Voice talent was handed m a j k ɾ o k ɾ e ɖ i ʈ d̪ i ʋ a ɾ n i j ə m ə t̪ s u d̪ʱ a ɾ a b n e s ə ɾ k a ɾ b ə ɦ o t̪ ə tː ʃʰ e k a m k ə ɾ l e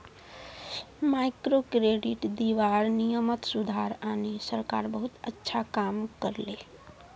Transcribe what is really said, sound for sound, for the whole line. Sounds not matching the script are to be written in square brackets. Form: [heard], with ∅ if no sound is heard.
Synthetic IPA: m a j k ɾ o k ɾ e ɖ i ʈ d̪ i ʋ a ɾ n i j ə m ə t̪ s u d̪ʱ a ɾ a [∅] n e s ə ɾ k a ɾ b ə ɦ [u] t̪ ə tː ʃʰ [a] k a m k ə ɾ l e

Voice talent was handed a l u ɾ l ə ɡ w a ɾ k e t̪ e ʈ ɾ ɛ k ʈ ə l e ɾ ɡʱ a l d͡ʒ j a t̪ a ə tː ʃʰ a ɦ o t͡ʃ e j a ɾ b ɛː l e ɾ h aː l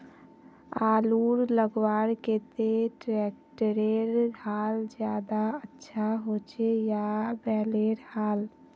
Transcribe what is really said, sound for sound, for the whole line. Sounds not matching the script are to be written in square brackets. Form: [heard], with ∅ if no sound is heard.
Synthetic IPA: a l u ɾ l ə ɡ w a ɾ k e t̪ e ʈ ɾ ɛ k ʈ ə [ɾ] e ɾ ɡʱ a l d͡ʒ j a [d̪] a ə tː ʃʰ a ɦ o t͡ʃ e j a [∅] b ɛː l e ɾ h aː l

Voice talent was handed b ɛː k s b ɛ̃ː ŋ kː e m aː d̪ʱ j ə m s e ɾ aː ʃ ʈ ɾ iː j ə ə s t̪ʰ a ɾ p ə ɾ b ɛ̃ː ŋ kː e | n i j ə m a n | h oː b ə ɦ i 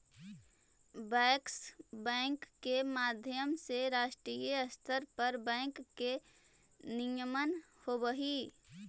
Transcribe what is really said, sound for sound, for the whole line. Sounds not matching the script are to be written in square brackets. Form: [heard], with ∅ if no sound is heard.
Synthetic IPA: b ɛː k s b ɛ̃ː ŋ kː e m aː d̪ʱ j ə m s e ɾ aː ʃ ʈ ɾ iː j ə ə s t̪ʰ [ə] ɾ p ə ɾ b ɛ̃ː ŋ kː e | n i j ə m [ə] n | h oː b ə ɦ i

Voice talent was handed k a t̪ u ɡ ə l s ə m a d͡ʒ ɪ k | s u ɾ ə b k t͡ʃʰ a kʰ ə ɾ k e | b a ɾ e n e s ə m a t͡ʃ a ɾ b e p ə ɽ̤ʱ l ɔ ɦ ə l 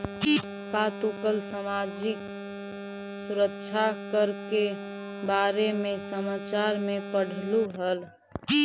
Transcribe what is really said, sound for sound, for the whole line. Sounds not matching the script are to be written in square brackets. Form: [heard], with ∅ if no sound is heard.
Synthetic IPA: k a t̪ u [k] ə l s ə m a d͡ʒ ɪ k | s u ɾ ə [∅] k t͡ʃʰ a [k] ə ɾ k e | b a ɾ e [m] e s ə m a t͡ʃ a ɾ [m] e p ə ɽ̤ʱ l [u] ɦ ə l

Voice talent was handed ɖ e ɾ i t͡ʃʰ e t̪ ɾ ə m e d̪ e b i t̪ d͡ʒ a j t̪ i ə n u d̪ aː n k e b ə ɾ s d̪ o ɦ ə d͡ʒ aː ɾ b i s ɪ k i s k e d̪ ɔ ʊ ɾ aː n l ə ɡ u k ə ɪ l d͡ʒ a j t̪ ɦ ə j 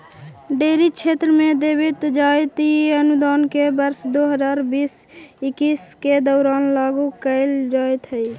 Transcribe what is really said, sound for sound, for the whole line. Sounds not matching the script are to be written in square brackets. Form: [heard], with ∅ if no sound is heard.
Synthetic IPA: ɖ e ɾ i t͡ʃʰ e t̪ ɾ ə m e d̪ e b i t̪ d͡ʒ a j t̪ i ə n u d̪ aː n k e b ə ɾ s d̪ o ɦ ə d͡ʒ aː ɾ b i s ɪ k i s k e d̪ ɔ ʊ ɾ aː n l [a] ɡ u k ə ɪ l d͡ʒ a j t̪ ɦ ə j

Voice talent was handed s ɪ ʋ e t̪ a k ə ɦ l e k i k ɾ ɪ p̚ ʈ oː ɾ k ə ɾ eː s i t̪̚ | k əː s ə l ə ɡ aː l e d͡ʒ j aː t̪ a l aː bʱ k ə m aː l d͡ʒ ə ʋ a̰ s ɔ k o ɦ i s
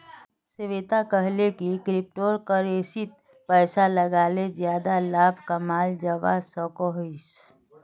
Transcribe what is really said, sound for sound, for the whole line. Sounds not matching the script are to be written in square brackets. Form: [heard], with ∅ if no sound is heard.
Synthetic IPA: s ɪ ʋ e t̪ a k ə ɦ l e k i k ɾ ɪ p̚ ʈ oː ɾ k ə ɾ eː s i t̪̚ | [p] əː s [a] l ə ɡ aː l e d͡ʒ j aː [d̪] a l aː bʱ k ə m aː l d͡ʒ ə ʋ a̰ s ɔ k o ɦ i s

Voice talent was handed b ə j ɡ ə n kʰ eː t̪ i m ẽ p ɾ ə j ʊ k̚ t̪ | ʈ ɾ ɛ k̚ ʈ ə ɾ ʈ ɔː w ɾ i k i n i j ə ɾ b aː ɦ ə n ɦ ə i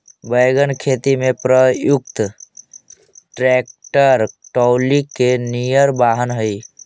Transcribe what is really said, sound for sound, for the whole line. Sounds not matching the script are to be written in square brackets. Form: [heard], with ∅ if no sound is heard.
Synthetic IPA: b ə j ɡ ə n kʰ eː t̪ i m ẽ p ɾ ə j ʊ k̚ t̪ | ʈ ɾ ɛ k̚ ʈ ə ɾ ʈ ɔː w [l] i k [e] n i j ə ɾ b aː ɦ ə n ɦ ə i

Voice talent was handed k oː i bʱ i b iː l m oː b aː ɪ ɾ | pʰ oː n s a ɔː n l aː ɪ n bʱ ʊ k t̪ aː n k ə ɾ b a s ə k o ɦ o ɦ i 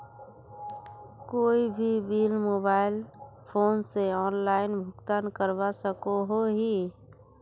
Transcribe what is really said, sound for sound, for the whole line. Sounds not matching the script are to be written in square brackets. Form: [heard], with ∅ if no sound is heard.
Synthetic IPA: k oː i bʱ i b iː l m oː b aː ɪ [l] | pʰ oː n s [e] ɔː n l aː ɪ n bʱ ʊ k t̪ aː n k ə ɾ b a s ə k o ɦ o ɦ i

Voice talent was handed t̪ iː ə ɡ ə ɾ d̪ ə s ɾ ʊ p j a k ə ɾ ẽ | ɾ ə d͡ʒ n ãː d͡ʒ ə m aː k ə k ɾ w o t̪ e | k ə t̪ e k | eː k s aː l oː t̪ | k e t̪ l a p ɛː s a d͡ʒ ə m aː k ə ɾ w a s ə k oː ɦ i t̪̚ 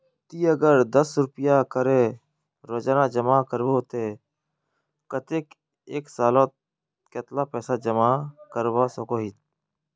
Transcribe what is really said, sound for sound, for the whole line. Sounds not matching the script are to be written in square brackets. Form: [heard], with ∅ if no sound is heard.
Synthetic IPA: t̪ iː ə ɡ ə ɾ d̪ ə s ɾ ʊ p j a k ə ɾ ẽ | ɾ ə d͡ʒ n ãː d͡ʒ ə m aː k ə [∅] ɾ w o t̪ e | k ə t̪ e k | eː k s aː l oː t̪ | k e t̪ l a p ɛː s a d͡ʒ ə m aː k ə ɾ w a s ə k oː ɦ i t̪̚

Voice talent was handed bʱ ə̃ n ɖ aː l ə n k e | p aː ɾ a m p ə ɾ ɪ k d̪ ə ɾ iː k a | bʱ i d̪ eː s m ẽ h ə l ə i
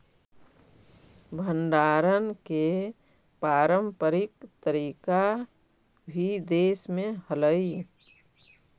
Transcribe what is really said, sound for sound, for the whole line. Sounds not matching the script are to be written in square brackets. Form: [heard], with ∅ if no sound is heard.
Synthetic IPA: bʱ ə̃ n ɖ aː [ɾ] ə n k e | p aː ɾ [ə] m p ə ɾ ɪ k [t̪] ə ɾ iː k a | bʱ i d̪ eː s m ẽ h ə l ə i

